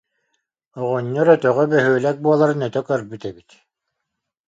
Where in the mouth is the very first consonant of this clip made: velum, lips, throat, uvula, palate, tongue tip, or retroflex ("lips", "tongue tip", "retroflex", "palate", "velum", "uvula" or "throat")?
uvula